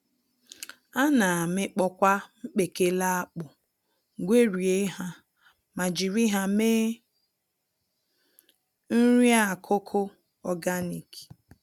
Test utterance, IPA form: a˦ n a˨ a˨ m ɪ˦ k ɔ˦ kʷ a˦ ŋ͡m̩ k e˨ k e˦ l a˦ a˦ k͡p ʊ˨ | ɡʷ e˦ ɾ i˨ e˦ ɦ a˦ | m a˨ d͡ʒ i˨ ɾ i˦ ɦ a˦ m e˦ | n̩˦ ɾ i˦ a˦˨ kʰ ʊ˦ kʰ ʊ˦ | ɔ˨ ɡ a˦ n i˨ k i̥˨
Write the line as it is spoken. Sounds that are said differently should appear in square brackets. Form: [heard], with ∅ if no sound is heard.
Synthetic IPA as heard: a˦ n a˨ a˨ m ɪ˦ [k͡p] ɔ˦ kʷ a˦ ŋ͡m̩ [k͡p] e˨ k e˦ l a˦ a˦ k͡p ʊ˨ | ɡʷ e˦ ɾ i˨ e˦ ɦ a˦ | m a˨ d͡ʒ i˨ ɾ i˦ ɦ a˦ m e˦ | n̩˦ ɾ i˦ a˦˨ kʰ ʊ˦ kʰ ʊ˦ | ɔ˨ ɡ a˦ n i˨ k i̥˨

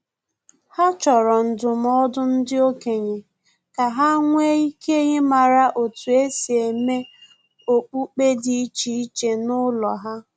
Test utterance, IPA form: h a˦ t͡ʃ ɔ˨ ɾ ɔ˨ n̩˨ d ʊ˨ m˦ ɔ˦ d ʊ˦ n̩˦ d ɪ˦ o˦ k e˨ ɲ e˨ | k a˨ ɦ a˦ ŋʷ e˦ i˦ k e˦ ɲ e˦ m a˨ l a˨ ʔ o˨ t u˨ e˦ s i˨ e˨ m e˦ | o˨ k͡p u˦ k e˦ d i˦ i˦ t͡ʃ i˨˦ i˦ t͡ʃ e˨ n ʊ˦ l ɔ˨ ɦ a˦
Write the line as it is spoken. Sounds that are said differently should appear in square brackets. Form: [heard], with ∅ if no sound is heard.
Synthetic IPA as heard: h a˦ t͡ʃ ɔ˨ ɾ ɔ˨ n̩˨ d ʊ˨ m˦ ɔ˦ d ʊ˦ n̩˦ d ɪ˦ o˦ k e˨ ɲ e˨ | k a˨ ɦ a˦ ŋʷ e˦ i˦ k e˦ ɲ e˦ m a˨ [ɾ] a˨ ʔ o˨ t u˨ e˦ s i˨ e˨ m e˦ | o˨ k͡p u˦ [k͡p] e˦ d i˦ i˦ t͡ʃ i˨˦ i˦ t͡ʃ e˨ n ʊ˦ l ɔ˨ ɦ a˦

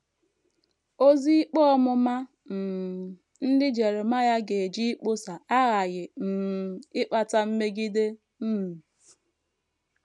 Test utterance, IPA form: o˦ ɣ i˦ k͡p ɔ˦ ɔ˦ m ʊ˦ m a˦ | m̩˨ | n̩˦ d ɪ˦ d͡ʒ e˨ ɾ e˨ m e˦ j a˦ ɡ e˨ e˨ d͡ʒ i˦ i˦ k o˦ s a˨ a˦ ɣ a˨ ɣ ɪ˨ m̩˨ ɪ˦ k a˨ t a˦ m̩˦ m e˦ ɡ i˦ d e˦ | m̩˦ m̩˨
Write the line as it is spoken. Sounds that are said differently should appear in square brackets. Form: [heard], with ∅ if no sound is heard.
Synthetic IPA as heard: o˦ [z] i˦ k͡p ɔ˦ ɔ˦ m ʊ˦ m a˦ | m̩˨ | n̩˦ d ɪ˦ d͡ʒ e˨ ɾ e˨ m [a˦] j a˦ ɡ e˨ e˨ d͡ʒ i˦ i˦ [k͡p] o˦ s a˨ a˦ ɣ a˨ ɣ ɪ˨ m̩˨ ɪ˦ [k͡p] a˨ t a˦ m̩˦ m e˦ ɡ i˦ d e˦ | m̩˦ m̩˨

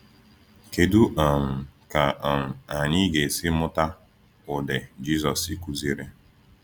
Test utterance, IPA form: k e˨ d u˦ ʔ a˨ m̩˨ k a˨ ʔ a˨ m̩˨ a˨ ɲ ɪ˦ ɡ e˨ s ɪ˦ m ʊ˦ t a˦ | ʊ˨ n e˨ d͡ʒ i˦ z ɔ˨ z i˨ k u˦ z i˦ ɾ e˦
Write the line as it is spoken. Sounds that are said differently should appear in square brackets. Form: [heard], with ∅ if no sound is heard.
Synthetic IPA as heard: k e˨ d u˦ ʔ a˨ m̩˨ k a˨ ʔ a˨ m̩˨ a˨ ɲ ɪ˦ ɡ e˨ s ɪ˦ m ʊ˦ t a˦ | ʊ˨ [d] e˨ d͡ʒ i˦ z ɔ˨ [s] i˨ k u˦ z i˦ ɾ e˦

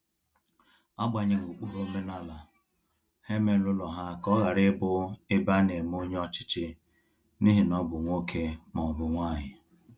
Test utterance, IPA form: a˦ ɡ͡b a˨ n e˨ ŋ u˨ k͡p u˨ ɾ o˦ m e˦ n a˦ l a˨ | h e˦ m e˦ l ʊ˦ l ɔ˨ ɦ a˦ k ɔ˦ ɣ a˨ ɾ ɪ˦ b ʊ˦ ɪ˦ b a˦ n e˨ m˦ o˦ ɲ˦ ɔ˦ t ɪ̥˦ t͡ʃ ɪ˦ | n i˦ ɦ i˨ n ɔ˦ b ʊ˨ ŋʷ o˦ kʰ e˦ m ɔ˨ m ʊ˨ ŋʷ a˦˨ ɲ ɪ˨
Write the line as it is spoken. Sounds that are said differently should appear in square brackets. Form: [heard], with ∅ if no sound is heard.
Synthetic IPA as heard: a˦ ɡ͡b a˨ [ɲ] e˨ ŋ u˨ k͡p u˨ ɾ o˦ m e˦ n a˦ l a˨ | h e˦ m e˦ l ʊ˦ l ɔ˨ ɦ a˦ k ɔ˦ ɣ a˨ ɾ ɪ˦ b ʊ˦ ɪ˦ b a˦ n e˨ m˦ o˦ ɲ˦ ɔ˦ [t͡ʃ] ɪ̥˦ t͡ʃ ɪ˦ | n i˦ ɦ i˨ n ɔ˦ b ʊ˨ ŋʷ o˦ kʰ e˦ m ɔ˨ [b] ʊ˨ ŋʷ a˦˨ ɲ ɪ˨

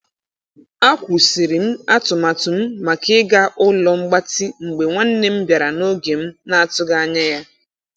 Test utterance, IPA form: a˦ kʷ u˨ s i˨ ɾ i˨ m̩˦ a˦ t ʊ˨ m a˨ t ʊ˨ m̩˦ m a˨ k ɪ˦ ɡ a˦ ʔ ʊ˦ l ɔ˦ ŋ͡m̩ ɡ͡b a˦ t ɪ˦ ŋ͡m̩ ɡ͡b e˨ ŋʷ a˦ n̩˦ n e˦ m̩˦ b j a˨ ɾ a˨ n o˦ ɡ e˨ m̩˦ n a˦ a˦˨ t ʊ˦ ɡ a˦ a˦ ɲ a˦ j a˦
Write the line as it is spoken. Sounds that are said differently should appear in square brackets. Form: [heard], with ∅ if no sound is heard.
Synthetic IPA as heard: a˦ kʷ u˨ s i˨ ɾ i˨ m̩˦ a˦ t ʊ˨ m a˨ t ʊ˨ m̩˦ m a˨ k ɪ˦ ɡ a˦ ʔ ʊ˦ l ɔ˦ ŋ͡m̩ ɡ͡b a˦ t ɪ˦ ŋ͡m̩ ɡ͡b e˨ ŋʷ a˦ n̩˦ n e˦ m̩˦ b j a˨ ɾ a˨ n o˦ ɡ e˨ m̩˦ n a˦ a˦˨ t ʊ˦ ɡ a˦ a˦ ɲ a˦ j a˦

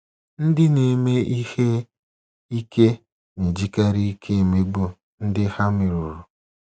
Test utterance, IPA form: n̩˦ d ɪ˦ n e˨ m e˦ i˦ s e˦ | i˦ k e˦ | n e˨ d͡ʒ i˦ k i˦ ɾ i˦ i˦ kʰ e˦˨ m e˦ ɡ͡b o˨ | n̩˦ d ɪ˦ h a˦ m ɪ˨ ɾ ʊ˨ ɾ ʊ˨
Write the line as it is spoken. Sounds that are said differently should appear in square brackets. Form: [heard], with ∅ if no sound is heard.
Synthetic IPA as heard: n̩˦ d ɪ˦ n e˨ m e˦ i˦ [h] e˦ | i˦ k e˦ | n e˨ d͡ʒ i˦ k [a˦] ɾ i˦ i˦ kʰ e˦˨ m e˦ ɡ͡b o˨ | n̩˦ d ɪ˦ h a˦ m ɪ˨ ɾ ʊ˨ ɾ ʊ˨

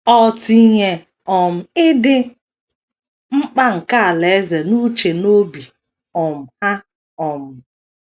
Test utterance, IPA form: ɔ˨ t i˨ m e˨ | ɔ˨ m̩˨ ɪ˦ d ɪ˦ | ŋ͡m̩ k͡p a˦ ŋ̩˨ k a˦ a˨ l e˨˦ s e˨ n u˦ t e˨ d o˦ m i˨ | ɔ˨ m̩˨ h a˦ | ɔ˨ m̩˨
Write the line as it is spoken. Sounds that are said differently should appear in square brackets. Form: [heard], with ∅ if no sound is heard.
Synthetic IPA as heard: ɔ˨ t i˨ [ɲ] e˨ | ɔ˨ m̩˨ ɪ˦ d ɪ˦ | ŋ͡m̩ k͡p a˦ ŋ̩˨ k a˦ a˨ l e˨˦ [z] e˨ n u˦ [t͡ʃ] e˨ [n] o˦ [b] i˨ | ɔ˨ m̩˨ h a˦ | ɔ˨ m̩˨

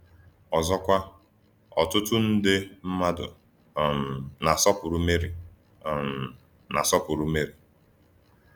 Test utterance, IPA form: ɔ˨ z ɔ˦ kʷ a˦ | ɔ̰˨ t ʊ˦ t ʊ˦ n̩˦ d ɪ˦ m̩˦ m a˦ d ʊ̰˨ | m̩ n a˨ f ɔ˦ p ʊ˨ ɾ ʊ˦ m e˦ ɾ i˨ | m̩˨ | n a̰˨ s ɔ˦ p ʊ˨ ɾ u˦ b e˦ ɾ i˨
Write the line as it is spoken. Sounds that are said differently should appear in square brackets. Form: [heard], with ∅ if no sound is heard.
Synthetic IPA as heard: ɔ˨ z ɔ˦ kʷ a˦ | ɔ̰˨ t ʊ˦ t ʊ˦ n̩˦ d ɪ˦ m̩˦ m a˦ d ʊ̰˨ | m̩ n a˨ [s] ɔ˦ p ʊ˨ ɾ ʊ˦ m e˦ ɾ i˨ | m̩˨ | n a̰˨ s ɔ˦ p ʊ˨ ɾ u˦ [m] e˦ ɾ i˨

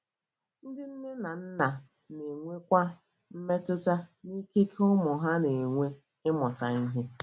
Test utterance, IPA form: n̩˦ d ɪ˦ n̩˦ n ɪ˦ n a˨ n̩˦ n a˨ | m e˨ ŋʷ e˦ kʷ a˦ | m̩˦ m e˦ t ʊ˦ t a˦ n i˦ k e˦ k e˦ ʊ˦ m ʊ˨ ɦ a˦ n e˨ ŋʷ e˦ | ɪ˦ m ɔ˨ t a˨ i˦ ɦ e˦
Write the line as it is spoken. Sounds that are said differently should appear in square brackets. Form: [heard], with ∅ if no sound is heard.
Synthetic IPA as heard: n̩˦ d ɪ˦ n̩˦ n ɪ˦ n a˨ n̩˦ n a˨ | [n] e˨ ŋʷ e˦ kʷ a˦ | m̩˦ m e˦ t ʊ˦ t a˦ n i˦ k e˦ k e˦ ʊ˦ m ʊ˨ ɦ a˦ n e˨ ŋʷ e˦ | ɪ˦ m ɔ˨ t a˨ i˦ ɦ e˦

